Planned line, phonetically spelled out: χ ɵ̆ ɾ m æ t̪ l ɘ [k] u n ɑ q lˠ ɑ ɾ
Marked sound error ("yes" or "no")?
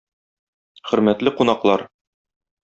yes